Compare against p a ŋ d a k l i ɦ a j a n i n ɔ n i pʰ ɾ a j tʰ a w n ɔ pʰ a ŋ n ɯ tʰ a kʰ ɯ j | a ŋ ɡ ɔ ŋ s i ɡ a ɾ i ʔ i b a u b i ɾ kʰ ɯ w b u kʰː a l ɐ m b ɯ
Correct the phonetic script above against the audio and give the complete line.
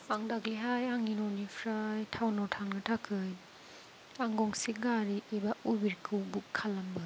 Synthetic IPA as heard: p a ŋ d a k l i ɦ a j a ŋ i n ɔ n i pʰ ɾ a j tʰ a w n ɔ tʰ a ŋ n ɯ tʰ a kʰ ɯ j | a ŋ ɡ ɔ ŋ s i ɡ a ɾ i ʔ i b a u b i ɾ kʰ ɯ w b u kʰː a l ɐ m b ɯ